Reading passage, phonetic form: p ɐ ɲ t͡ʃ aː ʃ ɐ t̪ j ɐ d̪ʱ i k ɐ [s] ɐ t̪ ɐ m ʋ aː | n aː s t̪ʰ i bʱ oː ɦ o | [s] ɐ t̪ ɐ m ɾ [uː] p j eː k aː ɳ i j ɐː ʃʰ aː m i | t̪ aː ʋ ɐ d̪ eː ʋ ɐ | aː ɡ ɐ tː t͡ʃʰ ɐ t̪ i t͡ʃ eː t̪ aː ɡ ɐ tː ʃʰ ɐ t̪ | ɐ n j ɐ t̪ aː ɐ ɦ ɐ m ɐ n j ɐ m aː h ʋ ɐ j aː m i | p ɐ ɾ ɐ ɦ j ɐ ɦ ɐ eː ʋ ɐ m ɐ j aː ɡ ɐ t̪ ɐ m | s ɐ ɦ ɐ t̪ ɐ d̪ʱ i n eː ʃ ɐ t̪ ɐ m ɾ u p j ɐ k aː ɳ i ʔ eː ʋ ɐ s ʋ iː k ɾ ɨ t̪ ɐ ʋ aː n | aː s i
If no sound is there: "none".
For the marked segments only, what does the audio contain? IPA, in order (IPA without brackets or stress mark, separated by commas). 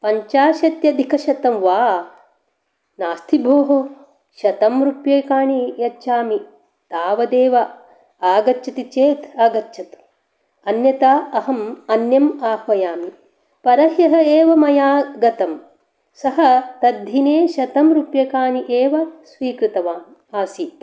ʃ, ʃ, u